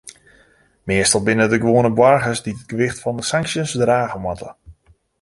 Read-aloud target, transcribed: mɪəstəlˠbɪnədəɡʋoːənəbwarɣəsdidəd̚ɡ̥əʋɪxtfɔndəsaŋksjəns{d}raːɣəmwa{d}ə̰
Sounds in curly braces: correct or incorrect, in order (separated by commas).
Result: correct, incorrect